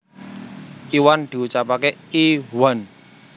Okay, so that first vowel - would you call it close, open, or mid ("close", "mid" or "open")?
close